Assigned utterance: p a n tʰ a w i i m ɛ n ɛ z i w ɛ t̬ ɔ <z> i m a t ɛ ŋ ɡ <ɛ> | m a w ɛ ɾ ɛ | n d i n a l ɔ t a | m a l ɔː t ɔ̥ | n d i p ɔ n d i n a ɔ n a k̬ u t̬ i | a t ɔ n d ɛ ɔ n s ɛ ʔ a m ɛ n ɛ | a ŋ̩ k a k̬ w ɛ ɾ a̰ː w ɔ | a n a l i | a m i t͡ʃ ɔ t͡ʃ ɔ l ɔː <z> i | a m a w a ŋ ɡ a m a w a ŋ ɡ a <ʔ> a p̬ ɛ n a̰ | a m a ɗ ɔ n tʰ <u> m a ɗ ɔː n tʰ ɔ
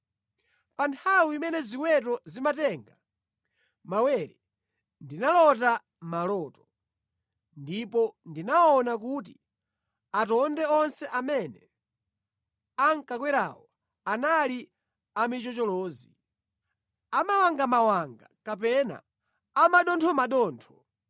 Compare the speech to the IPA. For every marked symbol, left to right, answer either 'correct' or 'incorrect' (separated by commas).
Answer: correct, incorrect, correct, incorrect, incorrect